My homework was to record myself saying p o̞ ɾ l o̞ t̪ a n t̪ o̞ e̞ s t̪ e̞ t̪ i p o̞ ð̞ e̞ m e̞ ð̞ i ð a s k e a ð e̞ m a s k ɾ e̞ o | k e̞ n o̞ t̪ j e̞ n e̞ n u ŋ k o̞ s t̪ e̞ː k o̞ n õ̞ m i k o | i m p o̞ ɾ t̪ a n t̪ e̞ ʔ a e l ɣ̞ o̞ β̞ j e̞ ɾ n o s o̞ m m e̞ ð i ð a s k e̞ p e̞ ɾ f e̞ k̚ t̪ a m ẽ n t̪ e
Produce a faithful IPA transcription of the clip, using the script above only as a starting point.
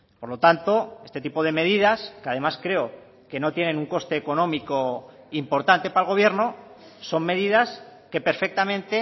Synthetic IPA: p o̞ ɾ l o̞ t̪ a n t̪ o̞ e̞ s t̪ e̞ t̪ i p o̞ ð̞ e̞ m e̞ ð̞ i ð a s k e a ð e̞ m a s k ɾ e̞ o | k e̞ n o̞ t̪ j e̞ n e̞ n u ŋ k o̞ s t̪ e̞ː k o̞ n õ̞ m i k o | i m p o̞ ɾ t̪ a n t̪ e̞ p a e l ɣ̞ o̞ β̞ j e̞ ɾ n o s o̞ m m e̞ ð i ð a s k e̞ p e̞ ɾ f e̞ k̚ t̪ a m ẽ n t̪ e